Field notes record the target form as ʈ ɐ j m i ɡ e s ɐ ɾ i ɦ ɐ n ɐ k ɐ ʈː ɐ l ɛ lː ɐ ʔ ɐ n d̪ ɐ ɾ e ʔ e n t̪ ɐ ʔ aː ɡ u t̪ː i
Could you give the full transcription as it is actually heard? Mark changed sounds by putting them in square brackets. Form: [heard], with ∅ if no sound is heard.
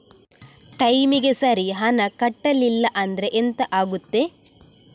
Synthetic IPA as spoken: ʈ ɐ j m i ɡ e s ɐ ɾ i ɦ ɐ n ɐ k ɐ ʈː ɐ l [i] lː ɐ ʔ ɐ n d̪ ɐ ɾ e ʔ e n t̪ ɐ ʔ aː ɡ u t̪ː [e]